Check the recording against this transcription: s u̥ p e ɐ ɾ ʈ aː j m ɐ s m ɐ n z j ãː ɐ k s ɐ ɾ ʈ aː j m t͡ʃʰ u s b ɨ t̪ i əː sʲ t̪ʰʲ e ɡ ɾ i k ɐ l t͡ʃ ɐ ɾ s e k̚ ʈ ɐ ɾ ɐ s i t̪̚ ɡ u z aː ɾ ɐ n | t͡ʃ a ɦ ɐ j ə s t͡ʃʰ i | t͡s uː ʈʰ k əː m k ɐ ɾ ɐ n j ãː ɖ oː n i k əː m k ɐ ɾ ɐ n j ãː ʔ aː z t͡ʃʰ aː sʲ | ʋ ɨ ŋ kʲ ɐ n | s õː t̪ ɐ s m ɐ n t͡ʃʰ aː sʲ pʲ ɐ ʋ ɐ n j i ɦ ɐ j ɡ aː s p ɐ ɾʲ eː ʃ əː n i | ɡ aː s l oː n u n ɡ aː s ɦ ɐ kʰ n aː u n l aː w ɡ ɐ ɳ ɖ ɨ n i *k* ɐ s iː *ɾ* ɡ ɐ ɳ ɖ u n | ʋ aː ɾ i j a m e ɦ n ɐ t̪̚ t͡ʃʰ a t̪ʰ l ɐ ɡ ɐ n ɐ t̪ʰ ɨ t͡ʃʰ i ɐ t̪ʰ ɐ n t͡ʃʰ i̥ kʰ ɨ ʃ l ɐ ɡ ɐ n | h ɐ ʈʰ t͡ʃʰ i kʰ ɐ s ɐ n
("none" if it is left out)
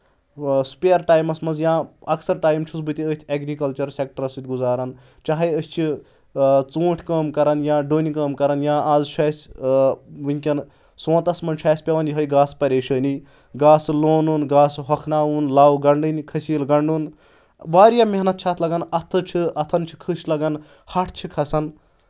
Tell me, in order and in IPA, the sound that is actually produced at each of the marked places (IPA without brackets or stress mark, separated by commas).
kʰ, l